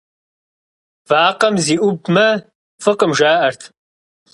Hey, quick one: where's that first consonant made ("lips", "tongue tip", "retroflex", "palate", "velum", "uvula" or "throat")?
lips